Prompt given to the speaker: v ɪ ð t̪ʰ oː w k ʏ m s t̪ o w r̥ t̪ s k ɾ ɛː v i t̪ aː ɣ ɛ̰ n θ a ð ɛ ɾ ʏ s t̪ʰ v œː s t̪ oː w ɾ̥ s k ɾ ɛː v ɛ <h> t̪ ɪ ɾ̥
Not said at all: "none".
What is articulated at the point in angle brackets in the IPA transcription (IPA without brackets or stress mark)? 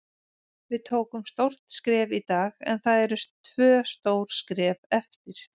f